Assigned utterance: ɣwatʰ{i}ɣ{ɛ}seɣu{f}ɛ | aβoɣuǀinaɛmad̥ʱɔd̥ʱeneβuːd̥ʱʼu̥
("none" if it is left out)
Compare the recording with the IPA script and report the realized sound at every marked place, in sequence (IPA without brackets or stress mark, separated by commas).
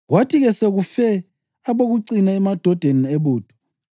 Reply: i, ɛ, f